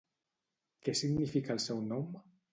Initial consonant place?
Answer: velar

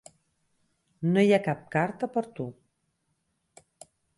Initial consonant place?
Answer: alveolar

